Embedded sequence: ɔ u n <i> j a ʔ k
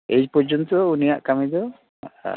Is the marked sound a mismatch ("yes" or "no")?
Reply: no